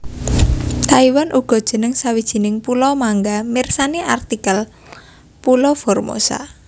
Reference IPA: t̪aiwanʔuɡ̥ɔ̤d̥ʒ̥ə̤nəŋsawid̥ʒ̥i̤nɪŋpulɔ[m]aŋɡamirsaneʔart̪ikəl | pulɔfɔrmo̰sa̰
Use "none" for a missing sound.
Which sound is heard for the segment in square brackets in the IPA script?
m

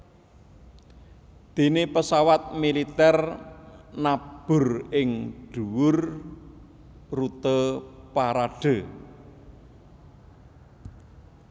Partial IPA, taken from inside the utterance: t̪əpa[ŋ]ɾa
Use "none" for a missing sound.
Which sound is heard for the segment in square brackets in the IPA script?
none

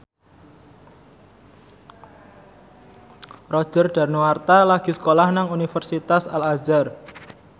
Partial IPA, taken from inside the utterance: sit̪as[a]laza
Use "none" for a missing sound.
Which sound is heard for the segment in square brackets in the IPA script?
a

